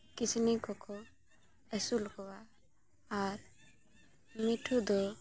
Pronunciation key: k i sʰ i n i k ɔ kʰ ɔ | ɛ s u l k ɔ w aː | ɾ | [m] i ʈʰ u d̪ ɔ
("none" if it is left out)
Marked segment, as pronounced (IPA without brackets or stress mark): m